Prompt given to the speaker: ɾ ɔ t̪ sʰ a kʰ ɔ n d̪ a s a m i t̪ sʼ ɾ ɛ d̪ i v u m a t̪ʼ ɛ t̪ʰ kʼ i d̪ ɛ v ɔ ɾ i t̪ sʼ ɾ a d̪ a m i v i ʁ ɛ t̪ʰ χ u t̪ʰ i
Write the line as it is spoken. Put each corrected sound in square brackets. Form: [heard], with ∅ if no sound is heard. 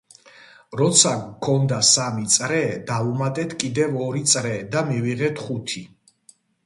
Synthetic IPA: ɾ ɔ t̪ sʰ a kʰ ɔ n d̪ a s a m i t̪ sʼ ɾ ɛ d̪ [a] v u m a t̪ʼ ɛ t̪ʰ kʼ i d̪ ɛ v ɔ ɾ i t̪ sʼ ɾ [ɛ] d̪ a m i v i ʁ ɛ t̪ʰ χ u t̪ʰ i